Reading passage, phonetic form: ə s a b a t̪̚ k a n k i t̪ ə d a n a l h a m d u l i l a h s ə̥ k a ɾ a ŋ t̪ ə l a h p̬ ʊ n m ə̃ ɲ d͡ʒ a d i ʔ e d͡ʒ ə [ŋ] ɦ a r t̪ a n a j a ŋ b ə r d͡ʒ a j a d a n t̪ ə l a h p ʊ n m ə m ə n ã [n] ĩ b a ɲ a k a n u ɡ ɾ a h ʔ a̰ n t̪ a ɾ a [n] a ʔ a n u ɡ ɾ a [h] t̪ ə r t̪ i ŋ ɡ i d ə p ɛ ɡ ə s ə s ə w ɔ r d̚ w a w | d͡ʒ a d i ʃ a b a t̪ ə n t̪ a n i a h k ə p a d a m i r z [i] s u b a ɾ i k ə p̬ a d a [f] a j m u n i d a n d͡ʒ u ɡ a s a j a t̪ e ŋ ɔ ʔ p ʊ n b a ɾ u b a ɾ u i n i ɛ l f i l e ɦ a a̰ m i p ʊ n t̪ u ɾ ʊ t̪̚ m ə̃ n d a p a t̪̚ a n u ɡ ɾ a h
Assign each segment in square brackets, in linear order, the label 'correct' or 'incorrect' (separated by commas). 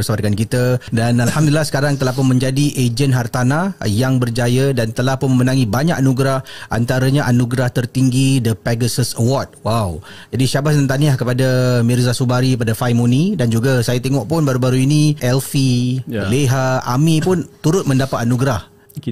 incorrect, incorrect, incorrect, correct, incorrect, correct